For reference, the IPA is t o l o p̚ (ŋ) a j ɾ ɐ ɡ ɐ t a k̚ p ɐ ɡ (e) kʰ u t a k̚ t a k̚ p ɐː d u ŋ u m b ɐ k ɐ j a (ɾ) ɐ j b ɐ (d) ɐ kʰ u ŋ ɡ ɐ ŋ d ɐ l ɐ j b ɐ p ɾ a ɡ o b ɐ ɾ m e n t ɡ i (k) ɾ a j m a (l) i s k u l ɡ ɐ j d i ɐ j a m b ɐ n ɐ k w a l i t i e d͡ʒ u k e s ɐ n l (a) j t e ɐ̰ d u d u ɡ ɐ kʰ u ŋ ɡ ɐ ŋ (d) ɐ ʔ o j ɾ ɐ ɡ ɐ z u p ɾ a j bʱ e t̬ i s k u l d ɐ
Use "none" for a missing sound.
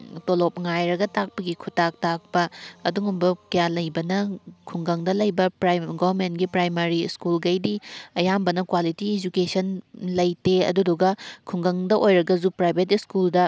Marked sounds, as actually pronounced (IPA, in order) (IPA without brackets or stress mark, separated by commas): ŋ, i, l, n, p, ɾ, ɐ, d